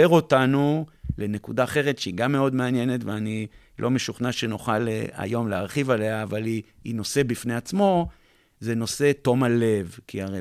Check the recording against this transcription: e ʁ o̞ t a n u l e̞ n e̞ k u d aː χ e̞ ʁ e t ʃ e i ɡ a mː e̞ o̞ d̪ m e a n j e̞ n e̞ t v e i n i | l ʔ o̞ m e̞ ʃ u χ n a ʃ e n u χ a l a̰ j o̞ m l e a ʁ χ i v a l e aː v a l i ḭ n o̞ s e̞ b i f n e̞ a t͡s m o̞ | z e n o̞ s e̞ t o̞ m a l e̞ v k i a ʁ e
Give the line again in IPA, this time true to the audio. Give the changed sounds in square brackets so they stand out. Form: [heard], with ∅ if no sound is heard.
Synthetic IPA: e ʁ o̞ t a n u l e̞ n e̞ k u d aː χ e̞ ʁ e t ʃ e i ɡ a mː e̞ o̞ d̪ m e a n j e̞ n e̞ t v e [a] n i | l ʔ o̞ m e̞ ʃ u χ n a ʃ e n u χ a l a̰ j o̞ m l e a ʁ χ i v a l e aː v a l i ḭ n o̞ s e̞ b i f n e̞ a t͡s m o̞ | z e n o̞ s e̞ t o̞ m a l e̞ v k i a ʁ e